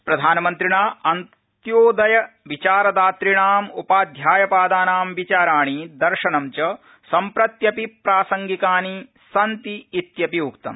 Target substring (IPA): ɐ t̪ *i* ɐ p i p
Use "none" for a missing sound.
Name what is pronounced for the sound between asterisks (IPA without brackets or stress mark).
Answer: j